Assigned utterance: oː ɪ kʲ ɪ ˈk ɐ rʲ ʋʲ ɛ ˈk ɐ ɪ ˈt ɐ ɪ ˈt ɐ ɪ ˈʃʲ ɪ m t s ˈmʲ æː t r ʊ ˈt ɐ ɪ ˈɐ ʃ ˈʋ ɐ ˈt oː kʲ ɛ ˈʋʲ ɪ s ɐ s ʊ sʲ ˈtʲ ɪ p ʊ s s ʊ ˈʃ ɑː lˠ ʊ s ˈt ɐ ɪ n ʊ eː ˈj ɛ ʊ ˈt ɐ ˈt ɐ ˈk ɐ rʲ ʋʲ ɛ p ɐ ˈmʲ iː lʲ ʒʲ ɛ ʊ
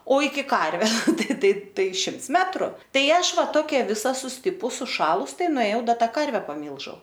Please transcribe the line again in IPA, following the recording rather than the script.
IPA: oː ɪ kʲ ɪ ˈk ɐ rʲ ʋʲ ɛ ˈt ɐ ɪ ˈt ɐ ɪ ˈt ɐ ɪ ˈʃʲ ɪ m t s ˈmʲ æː t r ʊ ˈt ɐ ɪ ˈɐ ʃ ˈʋ ɐ ˈt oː kʲ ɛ ˈʋʲ ɪ s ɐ s ʊ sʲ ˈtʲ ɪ p ʊ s s ʊ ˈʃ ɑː lˠ ʊ s ˈt ɐ ɪ n ʊ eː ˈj ɛ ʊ ˈd ɐ ˈt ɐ ˈk ɐ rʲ ʋʲ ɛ p ɐ ˈmʲ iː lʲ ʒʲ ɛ ʊ